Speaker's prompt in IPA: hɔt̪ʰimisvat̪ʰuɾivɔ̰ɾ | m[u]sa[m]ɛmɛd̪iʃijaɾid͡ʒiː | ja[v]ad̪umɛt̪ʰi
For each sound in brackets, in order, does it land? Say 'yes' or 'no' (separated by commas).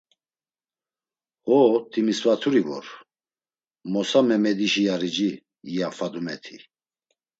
no, yes, no